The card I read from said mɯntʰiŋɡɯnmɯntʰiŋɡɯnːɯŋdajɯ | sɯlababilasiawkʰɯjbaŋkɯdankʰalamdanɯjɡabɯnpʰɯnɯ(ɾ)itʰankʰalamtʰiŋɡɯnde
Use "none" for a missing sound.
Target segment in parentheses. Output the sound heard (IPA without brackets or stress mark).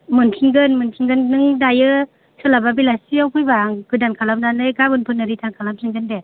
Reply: ɾ